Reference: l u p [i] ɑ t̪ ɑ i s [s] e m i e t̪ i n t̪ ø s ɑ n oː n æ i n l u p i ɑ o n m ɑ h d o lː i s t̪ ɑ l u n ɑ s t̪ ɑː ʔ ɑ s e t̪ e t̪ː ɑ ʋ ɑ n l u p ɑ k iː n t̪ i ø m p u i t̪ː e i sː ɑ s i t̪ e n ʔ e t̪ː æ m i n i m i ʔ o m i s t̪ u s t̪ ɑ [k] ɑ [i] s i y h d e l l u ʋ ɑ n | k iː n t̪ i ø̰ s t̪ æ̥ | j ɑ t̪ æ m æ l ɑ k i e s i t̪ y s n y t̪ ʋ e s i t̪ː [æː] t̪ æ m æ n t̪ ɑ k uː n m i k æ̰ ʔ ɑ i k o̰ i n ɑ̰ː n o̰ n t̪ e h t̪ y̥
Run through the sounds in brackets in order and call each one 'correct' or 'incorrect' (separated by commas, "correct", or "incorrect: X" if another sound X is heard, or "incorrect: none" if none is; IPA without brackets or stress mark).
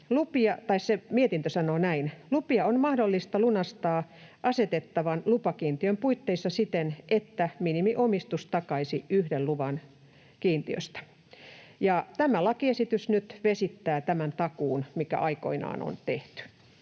correct, correct, correct, correct, correct